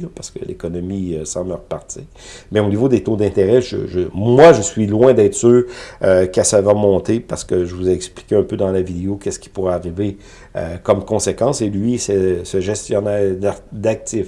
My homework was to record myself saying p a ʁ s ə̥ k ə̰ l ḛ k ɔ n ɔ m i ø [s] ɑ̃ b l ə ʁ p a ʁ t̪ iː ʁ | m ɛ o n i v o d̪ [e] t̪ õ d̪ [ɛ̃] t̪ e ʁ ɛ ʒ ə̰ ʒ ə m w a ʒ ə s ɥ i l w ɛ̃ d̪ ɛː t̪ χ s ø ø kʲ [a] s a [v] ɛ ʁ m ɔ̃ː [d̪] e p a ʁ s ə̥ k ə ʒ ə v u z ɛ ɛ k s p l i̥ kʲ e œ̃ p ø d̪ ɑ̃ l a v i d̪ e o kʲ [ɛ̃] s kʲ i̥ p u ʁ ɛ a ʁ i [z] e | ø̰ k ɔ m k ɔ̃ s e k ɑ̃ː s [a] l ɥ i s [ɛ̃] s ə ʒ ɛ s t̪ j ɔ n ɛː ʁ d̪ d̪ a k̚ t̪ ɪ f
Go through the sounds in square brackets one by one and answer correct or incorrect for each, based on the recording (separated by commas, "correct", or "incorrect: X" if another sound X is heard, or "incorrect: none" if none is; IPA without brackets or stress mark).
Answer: correct, correct, correct, correct, correct, incorrect: t̪, incorrect: ɛ, incorrect: v, incorrect: e, incorrect: ɛ